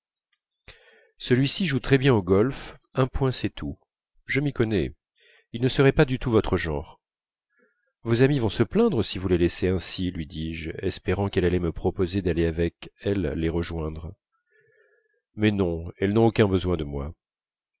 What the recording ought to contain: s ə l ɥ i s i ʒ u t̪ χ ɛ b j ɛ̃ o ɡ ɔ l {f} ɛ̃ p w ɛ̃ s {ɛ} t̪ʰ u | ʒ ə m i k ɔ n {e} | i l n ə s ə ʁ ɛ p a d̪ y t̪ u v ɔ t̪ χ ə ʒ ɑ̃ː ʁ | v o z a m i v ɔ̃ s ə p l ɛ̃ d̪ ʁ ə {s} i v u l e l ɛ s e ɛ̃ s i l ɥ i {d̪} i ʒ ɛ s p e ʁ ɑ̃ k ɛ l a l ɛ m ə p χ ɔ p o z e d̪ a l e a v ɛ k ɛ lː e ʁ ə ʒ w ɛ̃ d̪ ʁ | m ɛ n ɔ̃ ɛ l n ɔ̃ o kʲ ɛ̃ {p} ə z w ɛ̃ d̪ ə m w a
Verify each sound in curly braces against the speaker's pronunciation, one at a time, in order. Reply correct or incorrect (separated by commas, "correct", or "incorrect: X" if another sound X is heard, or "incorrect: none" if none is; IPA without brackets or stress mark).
correct, correct, incorrect: ɛ, correct, correct, incorrect: b